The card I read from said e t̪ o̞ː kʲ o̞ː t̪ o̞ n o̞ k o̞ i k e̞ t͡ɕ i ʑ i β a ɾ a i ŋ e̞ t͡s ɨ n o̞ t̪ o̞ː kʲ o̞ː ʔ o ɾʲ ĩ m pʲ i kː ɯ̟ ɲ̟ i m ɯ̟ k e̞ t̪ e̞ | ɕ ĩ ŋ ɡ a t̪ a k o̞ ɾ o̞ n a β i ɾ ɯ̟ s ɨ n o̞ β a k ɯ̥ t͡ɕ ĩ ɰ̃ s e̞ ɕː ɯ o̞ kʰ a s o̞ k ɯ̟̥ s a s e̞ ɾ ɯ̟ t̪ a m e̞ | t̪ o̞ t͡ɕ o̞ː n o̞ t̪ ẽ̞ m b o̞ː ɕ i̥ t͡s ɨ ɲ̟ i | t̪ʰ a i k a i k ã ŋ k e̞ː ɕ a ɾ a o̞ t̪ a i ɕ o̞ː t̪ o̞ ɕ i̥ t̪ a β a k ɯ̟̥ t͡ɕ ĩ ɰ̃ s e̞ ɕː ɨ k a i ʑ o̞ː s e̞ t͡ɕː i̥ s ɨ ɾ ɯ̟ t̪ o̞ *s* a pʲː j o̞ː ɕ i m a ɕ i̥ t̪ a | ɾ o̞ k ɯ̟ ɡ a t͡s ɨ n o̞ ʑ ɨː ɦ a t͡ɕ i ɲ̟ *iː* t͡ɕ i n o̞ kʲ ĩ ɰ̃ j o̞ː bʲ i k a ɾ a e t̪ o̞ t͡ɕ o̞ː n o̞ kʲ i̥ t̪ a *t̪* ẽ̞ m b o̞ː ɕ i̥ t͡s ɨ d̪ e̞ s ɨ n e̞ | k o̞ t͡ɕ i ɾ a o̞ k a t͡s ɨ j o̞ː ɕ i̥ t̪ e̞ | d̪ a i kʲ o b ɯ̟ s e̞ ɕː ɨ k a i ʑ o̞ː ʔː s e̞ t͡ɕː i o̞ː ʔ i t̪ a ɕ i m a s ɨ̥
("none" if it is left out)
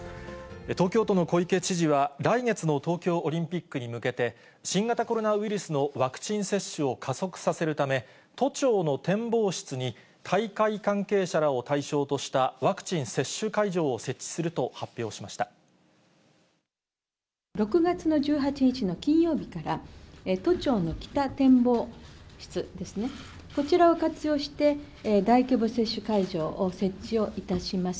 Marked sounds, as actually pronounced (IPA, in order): h, i, t̪

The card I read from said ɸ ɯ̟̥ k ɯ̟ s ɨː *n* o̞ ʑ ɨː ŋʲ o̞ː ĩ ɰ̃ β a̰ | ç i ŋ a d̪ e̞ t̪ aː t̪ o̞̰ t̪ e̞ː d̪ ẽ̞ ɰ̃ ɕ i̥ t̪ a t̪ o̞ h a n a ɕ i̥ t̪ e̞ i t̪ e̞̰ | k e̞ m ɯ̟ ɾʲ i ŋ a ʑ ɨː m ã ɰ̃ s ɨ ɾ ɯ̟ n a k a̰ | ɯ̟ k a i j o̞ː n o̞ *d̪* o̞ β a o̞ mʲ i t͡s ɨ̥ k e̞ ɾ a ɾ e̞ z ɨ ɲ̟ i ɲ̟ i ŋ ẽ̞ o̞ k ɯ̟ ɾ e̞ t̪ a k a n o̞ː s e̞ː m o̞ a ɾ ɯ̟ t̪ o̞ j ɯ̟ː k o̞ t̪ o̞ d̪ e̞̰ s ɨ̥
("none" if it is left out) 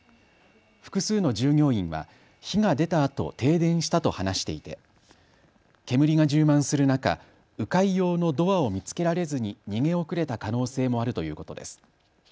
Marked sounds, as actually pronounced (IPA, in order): n, d̪

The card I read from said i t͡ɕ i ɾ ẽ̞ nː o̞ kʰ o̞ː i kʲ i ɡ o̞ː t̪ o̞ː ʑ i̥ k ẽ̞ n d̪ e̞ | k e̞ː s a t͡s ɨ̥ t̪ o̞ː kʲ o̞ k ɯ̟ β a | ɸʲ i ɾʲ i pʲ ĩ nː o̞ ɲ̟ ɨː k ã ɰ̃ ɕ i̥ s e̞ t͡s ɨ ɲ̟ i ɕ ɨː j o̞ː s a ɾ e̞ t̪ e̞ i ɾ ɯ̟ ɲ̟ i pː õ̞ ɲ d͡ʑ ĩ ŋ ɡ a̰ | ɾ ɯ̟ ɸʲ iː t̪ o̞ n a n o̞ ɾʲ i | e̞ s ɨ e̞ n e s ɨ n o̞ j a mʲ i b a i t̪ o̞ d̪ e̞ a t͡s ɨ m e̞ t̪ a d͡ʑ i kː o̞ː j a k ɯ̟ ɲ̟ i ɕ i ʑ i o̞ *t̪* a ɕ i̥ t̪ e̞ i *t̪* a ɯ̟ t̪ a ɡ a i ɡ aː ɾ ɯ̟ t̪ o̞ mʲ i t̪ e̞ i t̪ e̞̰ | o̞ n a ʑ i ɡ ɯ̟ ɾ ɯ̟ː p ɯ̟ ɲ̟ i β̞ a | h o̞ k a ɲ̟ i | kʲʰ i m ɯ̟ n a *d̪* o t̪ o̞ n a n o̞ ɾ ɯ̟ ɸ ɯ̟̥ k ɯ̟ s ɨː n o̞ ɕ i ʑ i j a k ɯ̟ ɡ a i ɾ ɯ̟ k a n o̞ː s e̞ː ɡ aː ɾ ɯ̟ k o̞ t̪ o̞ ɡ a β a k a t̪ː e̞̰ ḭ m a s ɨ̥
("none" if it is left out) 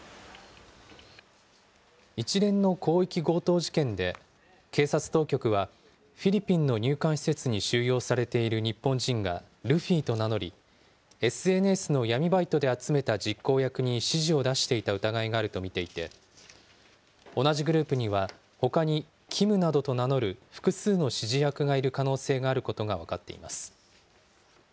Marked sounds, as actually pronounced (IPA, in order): d̪, t̪, d̪

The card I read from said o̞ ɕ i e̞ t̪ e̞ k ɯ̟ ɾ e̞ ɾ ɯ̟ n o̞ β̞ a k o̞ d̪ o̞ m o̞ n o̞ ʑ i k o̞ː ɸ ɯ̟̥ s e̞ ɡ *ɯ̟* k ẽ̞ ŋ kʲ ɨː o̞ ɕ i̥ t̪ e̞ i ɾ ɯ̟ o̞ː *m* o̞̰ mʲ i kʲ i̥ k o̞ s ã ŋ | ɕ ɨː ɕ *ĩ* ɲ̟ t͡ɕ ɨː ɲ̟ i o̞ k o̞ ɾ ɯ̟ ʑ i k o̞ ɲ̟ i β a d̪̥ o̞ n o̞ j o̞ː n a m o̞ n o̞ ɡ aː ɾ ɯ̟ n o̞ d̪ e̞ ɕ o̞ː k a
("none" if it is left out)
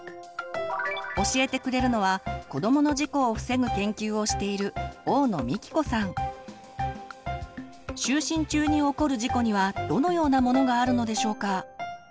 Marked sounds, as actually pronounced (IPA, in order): ɯ̟, n, ĩ

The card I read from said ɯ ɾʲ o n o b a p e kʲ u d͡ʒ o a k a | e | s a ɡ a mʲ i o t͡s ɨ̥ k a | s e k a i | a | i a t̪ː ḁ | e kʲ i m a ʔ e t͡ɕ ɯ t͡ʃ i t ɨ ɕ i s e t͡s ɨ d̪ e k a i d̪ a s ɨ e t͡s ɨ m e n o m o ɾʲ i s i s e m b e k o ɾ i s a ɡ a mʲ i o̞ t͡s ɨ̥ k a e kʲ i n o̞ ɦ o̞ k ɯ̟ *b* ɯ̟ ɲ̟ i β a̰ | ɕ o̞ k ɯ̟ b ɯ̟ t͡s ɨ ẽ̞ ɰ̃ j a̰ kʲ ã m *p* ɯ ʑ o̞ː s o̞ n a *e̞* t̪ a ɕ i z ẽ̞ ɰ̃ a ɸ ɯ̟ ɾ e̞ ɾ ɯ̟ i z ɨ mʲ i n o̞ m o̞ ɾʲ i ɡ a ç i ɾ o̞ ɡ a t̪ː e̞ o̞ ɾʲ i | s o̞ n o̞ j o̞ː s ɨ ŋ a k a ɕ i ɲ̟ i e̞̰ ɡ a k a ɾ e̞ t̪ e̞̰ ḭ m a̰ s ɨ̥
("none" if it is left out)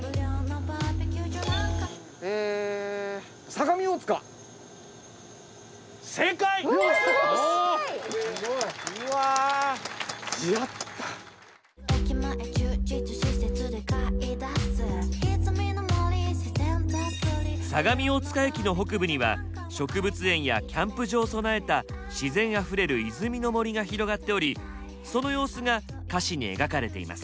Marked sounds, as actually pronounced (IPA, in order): b, p, e̞

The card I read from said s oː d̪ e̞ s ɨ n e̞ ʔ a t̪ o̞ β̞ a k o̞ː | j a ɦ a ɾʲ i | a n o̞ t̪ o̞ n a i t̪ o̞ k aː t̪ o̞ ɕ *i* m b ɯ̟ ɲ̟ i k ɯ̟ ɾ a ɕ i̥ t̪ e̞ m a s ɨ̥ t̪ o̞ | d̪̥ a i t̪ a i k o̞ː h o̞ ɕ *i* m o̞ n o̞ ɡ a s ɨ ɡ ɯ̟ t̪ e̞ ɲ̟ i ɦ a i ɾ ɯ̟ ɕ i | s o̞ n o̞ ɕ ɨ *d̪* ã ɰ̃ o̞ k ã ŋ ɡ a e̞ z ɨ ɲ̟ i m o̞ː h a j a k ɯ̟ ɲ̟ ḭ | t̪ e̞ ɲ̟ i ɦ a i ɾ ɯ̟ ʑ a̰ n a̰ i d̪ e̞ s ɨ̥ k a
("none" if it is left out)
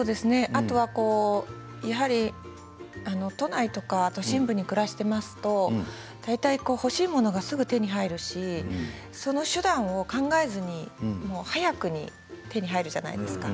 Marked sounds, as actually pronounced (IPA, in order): ĩ, iː, d̪

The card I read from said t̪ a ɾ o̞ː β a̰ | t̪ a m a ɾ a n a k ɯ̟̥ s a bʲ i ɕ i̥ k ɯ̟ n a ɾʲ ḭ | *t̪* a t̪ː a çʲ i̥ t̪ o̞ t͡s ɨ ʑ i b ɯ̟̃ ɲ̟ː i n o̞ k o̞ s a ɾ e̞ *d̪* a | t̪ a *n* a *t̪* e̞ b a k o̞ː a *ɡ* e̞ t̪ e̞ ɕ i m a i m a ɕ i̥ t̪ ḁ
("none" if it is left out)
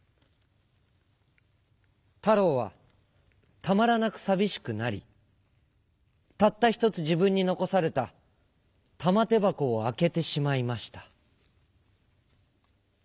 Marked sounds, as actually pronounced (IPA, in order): t̪, t̪, m, t̪, k

